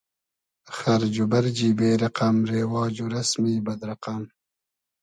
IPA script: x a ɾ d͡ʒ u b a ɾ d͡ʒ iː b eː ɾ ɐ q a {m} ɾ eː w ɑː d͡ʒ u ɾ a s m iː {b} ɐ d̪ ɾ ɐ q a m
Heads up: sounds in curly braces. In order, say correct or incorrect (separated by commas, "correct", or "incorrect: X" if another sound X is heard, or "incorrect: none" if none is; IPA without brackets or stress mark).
correct, correct